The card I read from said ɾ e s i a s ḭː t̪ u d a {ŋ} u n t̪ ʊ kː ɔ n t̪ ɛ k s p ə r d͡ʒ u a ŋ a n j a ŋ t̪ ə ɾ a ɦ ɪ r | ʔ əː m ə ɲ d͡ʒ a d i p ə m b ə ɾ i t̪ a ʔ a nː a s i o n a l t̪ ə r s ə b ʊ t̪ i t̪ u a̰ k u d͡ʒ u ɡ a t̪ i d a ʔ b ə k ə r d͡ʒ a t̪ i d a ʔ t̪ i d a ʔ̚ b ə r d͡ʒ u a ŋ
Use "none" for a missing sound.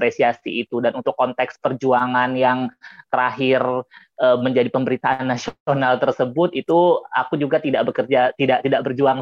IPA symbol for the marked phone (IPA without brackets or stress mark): n